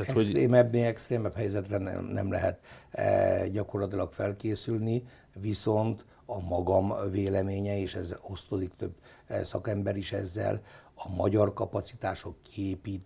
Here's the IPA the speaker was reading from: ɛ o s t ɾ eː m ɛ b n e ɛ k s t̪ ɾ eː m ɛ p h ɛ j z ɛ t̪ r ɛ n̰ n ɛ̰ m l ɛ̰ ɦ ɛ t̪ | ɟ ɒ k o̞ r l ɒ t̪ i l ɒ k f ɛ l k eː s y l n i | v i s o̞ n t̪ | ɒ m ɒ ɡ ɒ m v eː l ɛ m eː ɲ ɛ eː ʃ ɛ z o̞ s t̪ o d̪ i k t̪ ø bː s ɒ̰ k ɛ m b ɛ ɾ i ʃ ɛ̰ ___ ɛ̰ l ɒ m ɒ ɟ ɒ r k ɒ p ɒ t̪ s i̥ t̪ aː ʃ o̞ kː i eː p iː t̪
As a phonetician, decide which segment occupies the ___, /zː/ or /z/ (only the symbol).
zː